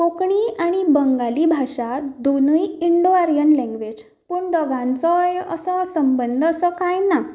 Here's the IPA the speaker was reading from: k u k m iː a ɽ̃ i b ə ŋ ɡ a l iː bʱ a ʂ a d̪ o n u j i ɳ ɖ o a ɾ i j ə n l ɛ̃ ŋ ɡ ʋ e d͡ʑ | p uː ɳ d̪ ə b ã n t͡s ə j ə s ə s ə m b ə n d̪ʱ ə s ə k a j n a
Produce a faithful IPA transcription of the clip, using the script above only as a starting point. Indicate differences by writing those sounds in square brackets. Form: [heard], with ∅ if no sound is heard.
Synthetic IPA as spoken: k [o] k [ɳ] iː a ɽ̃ i b ə ŋ ɡ a l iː bʱ a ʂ a d̪ o n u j i ɳ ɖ o a ɾ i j ə n l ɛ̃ ŋ ɡ ʋ e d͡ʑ | p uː ɳ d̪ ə [ɡ] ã n t͡s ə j ə s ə s ə m b ə n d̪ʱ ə s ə k a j n a